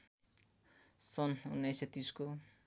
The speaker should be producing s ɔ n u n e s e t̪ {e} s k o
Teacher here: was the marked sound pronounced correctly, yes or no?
no